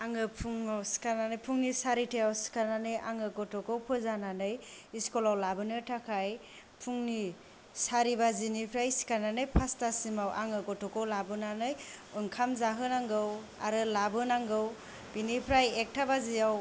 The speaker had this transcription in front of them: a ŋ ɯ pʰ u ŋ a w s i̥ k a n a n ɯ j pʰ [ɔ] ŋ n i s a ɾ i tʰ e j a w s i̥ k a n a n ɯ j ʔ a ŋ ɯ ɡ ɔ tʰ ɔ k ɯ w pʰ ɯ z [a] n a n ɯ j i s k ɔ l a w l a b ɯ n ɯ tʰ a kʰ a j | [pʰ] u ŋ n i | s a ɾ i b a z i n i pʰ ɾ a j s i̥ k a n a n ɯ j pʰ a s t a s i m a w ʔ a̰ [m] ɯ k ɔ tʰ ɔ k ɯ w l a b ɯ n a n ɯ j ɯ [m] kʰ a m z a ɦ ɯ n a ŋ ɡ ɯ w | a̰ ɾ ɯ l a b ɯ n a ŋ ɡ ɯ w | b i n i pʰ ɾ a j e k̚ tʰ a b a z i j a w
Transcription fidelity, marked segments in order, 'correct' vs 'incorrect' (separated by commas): incorrect, correct, correct, incorrect, incorrect